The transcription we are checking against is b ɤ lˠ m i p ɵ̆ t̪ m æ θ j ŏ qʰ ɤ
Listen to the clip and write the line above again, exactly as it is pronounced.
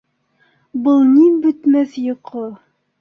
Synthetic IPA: b ɤ lˠ n i b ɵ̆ t̪ m æ θ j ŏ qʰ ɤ